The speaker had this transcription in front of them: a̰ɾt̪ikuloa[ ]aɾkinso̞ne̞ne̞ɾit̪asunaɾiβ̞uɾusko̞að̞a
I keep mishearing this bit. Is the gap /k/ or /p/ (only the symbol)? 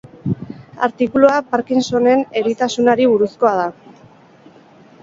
p